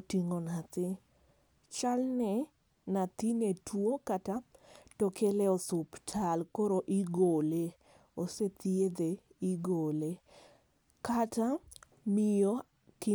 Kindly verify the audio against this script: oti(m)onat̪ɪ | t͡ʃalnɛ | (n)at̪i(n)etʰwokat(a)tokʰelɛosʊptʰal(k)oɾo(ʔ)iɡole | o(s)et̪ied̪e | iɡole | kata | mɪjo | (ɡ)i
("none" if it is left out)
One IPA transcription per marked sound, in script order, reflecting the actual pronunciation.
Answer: ŋ, n, n, a, k, ʔ, s, k

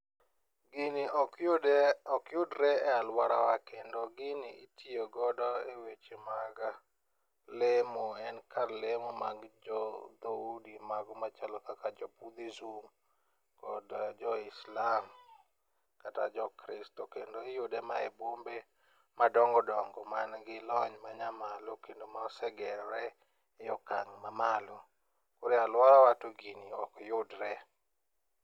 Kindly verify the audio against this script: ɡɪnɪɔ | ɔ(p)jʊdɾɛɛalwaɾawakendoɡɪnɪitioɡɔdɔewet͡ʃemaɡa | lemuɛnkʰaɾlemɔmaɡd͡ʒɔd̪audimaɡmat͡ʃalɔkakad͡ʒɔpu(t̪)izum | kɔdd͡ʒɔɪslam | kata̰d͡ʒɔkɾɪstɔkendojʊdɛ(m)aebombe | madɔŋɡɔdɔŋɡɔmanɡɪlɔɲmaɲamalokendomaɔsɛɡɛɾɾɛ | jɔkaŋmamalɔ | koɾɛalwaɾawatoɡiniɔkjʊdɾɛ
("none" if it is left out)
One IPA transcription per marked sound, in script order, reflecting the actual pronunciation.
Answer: k, d̪, m

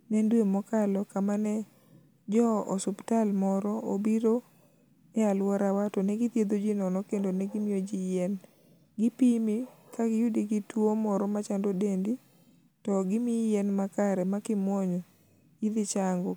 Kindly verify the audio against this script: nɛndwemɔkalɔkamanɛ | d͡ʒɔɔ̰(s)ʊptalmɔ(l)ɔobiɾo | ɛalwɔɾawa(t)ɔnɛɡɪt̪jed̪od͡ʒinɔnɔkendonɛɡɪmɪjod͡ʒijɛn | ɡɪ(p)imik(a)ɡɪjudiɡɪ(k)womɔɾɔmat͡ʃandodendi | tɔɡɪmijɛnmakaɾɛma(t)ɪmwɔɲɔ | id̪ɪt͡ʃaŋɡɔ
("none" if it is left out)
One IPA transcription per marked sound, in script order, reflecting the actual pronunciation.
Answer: s, ɾ, t, p, a, t, k

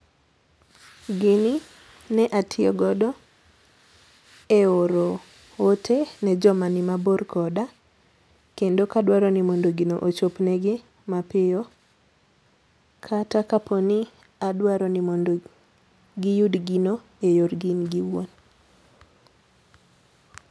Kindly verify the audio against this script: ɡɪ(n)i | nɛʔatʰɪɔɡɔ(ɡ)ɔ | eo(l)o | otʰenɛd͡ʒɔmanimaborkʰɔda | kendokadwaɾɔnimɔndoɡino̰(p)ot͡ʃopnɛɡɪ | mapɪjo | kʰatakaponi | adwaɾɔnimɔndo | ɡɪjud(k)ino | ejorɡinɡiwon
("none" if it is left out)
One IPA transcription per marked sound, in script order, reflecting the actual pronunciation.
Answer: n, d, ɾ, ʔ, ɡ

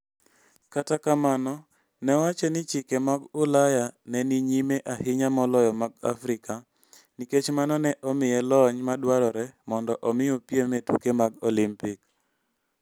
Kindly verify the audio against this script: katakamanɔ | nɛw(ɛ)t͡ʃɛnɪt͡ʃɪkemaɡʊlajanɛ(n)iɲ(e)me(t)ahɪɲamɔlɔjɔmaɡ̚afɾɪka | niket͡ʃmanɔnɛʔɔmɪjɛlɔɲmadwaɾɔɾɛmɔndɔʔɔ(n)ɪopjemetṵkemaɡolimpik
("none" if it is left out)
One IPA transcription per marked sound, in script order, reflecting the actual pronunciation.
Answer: a, n, i, ʔ, m

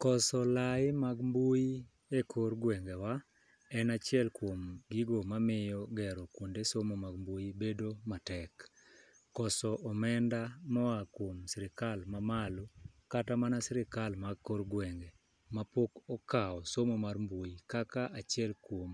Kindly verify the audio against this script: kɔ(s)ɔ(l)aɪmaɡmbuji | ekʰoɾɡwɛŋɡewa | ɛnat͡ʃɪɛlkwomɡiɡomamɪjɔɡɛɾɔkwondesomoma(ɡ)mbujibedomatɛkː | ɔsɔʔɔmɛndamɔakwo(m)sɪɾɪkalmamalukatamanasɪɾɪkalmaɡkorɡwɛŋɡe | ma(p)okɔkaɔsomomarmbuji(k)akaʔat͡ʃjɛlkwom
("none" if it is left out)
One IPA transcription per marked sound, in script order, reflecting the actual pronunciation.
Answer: s, l, ɡ, m, p, k

